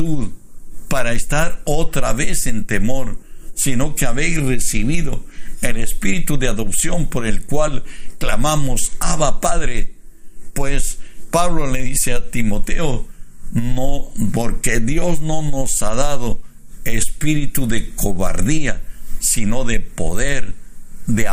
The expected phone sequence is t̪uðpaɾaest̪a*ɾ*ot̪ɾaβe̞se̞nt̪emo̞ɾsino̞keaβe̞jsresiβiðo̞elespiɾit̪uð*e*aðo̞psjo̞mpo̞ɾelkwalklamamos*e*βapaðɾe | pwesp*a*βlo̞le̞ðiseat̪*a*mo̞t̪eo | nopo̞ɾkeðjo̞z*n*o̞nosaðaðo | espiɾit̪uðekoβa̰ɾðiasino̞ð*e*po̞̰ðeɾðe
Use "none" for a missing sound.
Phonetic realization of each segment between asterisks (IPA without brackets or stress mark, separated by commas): ɾ, e, a, a, i, n, e